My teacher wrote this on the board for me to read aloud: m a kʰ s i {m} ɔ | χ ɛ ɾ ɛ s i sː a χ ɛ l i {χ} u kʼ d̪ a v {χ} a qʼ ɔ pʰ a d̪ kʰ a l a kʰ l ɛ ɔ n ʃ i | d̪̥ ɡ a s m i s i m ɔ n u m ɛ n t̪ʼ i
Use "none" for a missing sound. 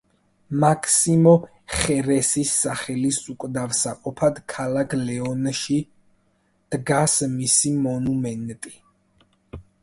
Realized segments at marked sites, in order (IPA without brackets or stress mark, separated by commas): m, s, s